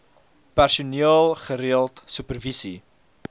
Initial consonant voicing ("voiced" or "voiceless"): voiceless